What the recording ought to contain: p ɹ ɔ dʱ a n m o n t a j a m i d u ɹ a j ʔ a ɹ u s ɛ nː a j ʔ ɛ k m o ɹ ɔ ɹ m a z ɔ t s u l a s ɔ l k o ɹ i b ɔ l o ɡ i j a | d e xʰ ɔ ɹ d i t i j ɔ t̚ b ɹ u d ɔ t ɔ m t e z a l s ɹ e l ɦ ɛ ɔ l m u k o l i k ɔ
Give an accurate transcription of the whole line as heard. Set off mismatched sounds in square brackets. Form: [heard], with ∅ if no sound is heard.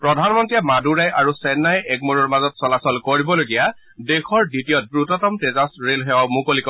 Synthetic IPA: p ɹ ɔ dʱ a n m [ɔ] n t [i] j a m [a] d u ɹ a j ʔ a ɹ u s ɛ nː a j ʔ ɛ k m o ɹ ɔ ɹ m a z ɔ t s [ɔ] l a s ɔ l k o ɹ i b ɔ l o ɡ i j a | d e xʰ ɔ ɹ d i t i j ɔ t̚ b ɹ u [t] ɔ t ɔ m t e z a [∅] s ɹ e l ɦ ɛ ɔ [∅] m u k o l i k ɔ